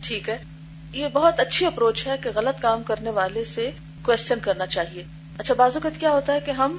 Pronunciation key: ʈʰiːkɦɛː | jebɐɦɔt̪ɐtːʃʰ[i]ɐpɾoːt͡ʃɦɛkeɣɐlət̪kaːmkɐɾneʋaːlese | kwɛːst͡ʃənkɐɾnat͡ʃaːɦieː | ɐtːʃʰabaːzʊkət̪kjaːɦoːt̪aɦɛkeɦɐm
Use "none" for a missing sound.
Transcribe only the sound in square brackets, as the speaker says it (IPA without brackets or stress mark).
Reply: i